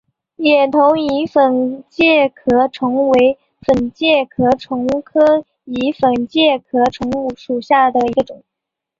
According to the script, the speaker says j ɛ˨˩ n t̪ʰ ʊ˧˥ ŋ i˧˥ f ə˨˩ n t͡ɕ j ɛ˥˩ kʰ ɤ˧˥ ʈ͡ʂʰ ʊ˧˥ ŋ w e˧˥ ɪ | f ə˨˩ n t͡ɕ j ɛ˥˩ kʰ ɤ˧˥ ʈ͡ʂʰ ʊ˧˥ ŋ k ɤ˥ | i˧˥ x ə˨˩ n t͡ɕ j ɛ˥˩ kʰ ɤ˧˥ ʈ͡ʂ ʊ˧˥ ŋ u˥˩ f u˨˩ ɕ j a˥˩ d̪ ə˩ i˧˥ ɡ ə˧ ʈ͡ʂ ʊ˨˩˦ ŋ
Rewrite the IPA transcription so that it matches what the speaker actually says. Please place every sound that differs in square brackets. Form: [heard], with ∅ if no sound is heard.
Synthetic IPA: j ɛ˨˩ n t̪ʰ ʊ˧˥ ŋ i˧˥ f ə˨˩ n t͡ɕ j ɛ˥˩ kʰ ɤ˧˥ ʈ͡ʂʰ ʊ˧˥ ŋ w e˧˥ ɪ | f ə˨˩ n t͡ɕ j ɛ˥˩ kʰ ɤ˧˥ ʈ͡ʂʰ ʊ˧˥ ŋ [kʰ] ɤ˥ | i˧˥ [f] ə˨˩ n t͡ɕ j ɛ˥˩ kʰ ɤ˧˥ [ʈ͡ʂʰ] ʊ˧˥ ŋ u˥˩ [ʂ] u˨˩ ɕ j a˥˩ d̪ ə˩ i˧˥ ɡ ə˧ ʈ͡ʂ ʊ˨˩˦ ŋ